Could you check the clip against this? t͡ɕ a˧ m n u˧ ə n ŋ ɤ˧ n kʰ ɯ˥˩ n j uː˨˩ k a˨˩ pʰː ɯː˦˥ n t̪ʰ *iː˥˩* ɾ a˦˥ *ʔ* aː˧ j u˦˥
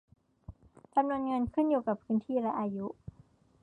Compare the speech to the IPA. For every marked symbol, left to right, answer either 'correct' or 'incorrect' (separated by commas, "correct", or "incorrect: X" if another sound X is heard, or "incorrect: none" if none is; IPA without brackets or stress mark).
correct, correct